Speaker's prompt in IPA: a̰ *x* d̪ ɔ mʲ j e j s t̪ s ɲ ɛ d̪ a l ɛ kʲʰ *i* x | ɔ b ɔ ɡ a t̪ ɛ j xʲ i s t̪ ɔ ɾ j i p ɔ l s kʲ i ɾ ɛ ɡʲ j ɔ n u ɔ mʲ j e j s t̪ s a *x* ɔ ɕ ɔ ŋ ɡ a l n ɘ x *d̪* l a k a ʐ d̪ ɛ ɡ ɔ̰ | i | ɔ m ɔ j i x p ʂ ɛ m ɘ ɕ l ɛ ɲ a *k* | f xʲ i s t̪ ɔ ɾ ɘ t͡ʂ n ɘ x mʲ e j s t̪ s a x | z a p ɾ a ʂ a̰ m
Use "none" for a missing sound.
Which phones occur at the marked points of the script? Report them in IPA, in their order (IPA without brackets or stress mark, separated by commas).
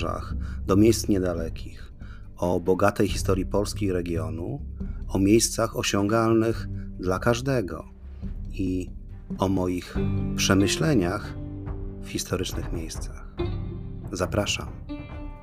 x, i, x, d̪, x